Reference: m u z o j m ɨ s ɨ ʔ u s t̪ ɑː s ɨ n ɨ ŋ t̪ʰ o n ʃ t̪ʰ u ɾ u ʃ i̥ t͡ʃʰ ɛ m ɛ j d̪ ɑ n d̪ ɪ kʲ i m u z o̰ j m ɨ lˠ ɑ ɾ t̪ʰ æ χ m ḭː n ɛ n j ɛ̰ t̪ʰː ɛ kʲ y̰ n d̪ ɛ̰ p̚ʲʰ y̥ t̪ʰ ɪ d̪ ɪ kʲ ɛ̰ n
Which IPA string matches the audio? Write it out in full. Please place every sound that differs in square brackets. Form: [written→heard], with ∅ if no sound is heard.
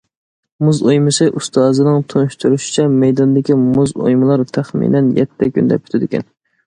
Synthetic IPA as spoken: m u z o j m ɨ s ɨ ʔ u s t̪ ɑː [s→z] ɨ n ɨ ŋ t̪ʰ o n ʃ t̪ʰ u ɾ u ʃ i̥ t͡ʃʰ ɛ m ɛ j d̪ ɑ n d̪ ɪ kʲ i m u z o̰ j m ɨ lˠ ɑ ɾ t̪ʰ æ χ m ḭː n ɛ n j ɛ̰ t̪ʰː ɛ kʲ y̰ n d̪ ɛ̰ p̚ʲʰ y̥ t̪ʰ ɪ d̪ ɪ kʲ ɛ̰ n